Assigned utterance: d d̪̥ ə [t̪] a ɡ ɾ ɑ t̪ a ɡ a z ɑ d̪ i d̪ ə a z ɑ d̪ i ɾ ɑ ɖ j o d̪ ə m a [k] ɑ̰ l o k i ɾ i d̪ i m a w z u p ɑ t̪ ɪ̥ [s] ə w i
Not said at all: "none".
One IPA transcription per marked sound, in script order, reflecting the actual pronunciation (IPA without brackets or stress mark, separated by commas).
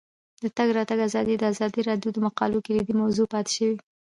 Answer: t̪, q, ʃ